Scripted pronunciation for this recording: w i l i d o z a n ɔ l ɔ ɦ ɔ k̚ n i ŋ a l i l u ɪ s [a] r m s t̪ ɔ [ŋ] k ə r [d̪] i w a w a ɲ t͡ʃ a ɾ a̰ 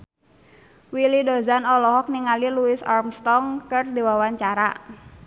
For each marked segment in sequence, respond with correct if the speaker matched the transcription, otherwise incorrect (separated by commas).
correct, correct, correct